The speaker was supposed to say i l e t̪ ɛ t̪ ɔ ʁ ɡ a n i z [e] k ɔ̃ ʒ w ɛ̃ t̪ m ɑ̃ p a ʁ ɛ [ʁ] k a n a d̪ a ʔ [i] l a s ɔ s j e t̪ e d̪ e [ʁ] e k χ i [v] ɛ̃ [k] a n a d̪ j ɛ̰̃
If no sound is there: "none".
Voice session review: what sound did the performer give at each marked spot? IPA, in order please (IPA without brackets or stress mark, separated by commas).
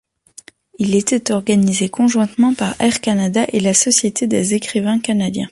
e, ʁ, e, z, v, k